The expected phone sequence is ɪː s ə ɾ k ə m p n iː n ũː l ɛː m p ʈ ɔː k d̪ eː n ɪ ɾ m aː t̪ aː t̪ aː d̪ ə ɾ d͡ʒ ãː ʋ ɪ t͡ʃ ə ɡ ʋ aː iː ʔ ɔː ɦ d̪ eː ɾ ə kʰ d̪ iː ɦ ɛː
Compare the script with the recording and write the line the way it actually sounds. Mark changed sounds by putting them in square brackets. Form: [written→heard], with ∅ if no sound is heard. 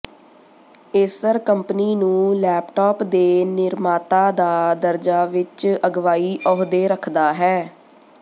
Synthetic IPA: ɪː s ə ɾ k ə m p n iː n ũː l ɛː [m→∅] p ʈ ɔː [k→p] d̪ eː n ɪ ɾ m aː t̪ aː [t̪→d̪] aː d̪ ə ɾ d͡ʒ [ãː→aː] ʋ ɪ t͡ʃ ə ɡ ʋ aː iː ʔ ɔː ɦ d̪ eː ɾ ə kʰ d̪ [iː→aː] ɦ ɛː